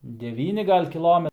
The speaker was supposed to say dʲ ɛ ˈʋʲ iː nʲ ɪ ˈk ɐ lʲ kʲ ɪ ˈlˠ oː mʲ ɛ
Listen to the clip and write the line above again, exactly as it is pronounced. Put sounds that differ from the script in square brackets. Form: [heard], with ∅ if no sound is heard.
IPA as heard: dʲ ɛ ˈʋʲ iː nʲ ɪ [ˈɡ] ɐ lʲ kʲ ɪ ˈlˠ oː mʲ ɛ